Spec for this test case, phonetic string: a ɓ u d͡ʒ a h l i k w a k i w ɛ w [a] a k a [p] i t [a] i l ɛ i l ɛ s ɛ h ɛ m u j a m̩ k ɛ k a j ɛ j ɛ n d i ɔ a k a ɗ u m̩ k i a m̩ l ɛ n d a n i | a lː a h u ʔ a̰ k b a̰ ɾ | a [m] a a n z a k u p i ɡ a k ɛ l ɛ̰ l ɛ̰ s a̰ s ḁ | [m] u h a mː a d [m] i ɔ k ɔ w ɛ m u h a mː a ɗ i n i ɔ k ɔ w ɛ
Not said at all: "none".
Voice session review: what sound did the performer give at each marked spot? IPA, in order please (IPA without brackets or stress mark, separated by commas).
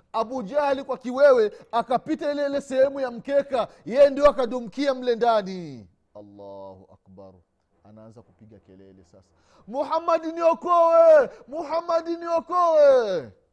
ɛ, p, a, n, m, n